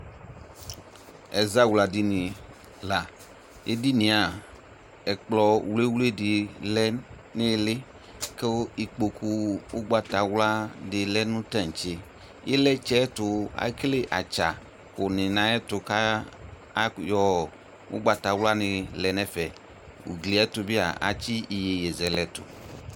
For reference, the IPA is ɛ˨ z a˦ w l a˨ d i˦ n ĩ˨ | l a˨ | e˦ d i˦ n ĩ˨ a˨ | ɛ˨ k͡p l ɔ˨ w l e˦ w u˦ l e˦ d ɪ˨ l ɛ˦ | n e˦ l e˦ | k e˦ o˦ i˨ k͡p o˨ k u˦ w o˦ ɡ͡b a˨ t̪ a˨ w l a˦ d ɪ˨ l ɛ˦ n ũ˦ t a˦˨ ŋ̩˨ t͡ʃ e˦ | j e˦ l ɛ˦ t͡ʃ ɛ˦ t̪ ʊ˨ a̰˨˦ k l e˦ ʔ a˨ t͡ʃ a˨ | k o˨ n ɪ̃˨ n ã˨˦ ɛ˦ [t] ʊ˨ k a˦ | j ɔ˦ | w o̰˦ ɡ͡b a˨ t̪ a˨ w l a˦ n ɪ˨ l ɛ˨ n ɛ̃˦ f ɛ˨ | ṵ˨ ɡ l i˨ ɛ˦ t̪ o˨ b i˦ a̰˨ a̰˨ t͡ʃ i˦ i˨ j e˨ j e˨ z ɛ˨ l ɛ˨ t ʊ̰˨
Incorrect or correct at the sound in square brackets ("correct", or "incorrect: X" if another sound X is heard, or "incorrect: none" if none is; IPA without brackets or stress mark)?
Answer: correct